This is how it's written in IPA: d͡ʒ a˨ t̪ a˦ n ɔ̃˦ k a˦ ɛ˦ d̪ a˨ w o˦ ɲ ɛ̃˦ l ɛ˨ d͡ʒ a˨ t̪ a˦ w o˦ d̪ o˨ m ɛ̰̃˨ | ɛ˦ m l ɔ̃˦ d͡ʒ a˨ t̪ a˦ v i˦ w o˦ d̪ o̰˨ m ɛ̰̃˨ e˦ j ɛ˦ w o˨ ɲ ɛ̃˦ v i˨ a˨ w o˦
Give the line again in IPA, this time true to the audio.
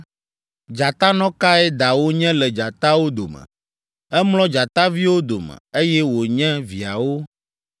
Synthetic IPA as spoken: d͡ʒ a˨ t̪ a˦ n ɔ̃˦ k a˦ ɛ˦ d̪ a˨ w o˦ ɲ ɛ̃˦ l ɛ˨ d͡ʒ a˨ t̪ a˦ w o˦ d̪ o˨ m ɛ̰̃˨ | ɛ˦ m l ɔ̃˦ d͡ʒ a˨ t̪ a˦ v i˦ w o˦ d̪ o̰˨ m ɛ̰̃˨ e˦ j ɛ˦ w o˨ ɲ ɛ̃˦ v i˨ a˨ w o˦

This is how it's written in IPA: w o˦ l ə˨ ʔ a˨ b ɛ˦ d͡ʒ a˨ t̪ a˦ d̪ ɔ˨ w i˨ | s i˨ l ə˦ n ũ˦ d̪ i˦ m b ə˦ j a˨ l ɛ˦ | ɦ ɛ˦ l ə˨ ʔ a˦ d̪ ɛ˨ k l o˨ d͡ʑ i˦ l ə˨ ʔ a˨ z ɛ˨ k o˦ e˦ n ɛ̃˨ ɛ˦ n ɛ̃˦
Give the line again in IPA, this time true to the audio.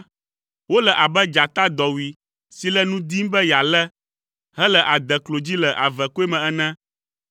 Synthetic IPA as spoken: w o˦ l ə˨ ʔ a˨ b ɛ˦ d͡ʒ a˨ t̪ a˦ d̪ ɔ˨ w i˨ | s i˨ l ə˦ n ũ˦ d̪ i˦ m b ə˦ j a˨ l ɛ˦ | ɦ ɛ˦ l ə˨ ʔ a˨ d̪ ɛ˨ k l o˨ d͡ʑ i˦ l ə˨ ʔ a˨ v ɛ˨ k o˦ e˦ m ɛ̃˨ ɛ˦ n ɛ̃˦

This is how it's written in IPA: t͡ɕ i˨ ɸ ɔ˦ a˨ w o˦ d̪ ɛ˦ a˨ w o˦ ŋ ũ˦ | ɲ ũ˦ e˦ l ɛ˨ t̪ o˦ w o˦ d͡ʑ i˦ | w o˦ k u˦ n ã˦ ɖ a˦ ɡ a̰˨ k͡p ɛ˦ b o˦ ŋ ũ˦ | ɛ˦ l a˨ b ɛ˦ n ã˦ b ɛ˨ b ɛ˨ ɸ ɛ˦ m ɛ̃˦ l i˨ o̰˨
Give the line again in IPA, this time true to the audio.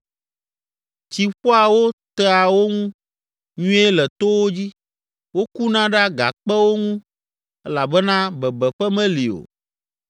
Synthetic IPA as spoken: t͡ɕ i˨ ɸ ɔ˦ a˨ w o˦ t̪ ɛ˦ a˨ w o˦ ŋ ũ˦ | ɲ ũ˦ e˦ l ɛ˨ t̪ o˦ w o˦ d͡ʑ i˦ | w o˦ k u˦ n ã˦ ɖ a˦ ɡ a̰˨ k͡p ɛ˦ w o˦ ŋ ũ˦ | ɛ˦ l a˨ b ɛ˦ n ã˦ b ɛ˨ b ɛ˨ ɸ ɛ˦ m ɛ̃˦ l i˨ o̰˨

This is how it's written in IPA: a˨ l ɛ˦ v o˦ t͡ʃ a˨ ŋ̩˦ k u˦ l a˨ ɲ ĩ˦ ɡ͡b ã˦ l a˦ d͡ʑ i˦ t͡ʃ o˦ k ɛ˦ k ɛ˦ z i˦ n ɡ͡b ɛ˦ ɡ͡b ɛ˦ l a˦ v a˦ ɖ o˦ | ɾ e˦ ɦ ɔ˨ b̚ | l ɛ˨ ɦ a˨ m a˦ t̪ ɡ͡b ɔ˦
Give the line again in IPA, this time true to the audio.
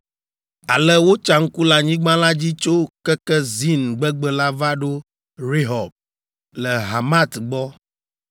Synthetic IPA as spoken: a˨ l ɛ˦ w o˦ t͡ʃ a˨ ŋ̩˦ k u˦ l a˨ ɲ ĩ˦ ɡ͡b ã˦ l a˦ d͡ʑ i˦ t͡ʃ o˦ k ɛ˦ k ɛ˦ z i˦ n ɡ͡b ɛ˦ ɡ͡b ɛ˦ l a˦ v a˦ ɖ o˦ | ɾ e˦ ɦ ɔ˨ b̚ | l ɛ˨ ɦ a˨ m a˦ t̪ ɡ͡b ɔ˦

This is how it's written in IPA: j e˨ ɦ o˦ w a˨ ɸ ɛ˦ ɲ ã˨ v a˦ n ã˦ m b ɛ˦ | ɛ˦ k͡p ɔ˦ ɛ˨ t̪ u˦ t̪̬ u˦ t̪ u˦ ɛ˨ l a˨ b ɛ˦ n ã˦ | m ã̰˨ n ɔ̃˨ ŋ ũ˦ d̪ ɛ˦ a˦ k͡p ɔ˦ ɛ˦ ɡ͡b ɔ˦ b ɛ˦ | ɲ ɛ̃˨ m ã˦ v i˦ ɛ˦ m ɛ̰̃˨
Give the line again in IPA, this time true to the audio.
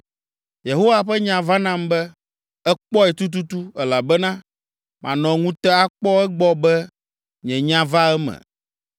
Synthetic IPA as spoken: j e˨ ɦ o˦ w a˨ ɸ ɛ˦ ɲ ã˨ v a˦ n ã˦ m b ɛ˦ | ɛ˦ k͡p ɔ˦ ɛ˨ t̪ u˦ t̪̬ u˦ t̪ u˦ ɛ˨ l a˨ b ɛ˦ n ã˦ | m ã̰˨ n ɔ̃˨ ŋ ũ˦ t̪ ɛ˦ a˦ k͡p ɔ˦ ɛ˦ ɡ͡b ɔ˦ b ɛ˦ | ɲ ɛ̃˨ ɲ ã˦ v a˦ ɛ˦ m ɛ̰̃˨

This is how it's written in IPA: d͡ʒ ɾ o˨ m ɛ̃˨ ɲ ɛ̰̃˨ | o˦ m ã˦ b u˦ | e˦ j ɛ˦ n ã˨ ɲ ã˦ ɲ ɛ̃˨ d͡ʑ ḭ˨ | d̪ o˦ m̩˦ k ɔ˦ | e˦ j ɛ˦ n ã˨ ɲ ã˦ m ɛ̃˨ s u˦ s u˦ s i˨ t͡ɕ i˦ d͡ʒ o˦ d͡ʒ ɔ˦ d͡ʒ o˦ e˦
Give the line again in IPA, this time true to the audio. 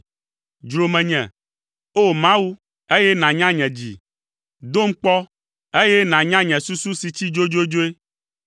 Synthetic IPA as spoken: d͡ʒ ɾ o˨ m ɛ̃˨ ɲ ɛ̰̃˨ | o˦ m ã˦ w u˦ | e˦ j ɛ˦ n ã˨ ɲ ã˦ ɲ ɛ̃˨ d͡ʑ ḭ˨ | d̪ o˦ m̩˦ k͡p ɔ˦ | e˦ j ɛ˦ n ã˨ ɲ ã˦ ɲ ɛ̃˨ s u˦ s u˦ s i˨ t͡ɕ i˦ d͡ʒ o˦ d͡ʒ o˦ d͡ʒ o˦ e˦

